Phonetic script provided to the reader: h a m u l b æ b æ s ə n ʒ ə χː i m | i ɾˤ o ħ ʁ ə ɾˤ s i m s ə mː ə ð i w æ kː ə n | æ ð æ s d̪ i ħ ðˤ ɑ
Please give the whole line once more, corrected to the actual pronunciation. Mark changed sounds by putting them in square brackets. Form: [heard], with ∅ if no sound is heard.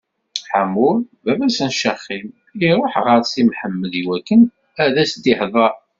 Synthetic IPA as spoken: [ħ] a m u l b æ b æ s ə n [ʃ] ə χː i m | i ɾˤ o ħ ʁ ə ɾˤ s i m [ħ] ə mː ə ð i w æ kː ə n | æ ð æ s d̪ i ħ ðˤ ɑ